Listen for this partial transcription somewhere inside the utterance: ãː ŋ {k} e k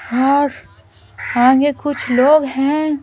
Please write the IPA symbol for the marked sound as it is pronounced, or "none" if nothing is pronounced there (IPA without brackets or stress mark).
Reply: ɡ